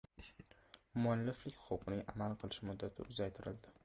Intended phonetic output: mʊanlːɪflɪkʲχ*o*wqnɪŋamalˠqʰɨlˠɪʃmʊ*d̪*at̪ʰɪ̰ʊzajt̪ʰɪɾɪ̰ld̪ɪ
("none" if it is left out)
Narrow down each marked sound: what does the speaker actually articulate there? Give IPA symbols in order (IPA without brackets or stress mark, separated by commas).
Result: o, d̪ː